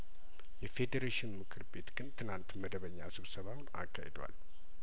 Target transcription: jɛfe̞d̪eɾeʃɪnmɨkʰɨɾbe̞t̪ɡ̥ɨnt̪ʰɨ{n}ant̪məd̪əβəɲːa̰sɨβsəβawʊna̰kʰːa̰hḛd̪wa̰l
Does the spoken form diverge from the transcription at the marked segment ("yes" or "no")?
no